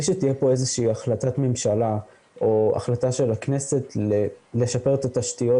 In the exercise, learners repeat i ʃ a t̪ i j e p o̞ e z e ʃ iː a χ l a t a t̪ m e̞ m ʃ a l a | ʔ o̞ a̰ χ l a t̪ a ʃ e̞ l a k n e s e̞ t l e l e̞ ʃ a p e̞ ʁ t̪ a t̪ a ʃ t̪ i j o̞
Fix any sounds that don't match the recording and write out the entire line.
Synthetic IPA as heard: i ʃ e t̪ i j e p o̞ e z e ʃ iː a χ l a t a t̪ m e̞ m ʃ a l a | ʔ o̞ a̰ χ l a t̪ a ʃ e̞ l a k n e s e̞ t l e l e̞ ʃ a p e̞ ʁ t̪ a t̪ a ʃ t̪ i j o̞